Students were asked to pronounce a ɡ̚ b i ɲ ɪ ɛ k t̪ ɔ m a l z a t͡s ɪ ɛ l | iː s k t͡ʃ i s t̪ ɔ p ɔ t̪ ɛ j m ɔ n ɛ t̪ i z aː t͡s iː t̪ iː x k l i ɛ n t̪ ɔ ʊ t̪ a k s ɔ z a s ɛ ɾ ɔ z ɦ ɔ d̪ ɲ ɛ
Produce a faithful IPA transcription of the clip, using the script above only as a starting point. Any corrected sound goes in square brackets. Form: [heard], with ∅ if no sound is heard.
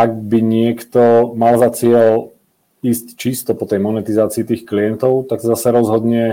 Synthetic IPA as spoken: a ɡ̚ b i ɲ ɪ ɛ k t̪ ɔ m a l z a t͡s ɪ ɛ l | iː s [c] t͡ʃ i s t̪ ɔ p ɔ t̪ ɛ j m ɔ n ɛ t̪ i z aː t͡s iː t̪ iː x k l i ɛ n t̪ ɔ ʊ t̪ a k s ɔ z a s ɛ ɾ ɔ z ɦ ɔ d̪ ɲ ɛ